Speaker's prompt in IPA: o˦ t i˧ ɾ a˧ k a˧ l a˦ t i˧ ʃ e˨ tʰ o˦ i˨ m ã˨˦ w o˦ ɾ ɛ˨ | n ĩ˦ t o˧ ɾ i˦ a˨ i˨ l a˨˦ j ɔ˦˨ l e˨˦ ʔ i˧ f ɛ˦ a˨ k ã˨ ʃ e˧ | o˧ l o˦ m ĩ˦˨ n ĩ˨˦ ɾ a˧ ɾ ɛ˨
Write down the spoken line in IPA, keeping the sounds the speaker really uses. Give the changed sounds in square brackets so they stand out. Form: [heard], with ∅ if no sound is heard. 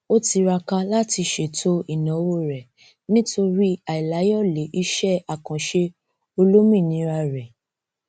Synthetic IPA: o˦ t i˧ ɾ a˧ k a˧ l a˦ t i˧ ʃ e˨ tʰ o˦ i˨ [n] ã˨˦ w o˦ ɾ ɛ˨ | n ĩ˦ t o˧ ɾ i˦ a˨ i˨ l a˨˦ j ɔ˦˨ l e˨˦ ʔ i˧ [ʃ] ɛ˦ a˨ k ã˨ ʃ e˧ | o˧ l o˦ m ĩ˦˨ n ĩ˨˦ ɾ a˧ ɾ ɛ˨